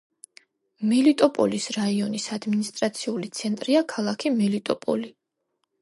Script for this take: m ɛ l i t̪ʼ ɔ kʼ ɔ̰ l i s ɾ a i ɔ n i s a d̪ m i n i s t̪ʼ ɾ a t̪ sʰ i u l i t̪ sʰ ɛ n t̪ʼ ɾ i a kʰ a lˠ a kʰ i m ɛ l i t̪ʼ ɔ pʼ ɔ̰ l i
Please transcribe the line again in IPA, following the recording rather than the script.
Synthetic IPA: m ɛ l i t̪ʼ ɔ pʼ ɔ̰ l i s ɾ a i ɔ n i s a d̪ m i n i s t̪ʼ ɾ a t̪ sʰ i u l i t̪ sʰ ɛ n t̪ʼ ɾ i a kʰ a lˠ a kʰ i m ɛ l i t̪ʼ ɔ pʼ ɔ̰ l i